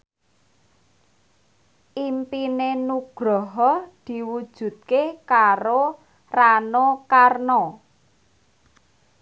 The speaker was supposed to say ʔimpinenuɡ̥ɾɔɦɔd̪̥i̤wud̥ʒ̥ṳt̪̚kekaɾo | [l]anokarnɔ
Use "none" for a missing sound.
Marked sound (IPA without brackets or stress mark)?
r